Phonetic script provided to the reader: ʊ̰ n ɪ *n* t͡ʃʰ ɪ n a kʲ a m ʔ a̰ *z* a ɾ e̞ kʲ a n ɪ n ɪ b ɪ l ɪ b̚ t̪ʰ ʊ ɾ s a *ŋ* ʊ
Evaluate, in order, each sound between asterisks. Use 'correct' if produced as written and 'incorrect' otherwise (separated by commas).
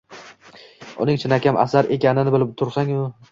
incorrect, incorrect, correct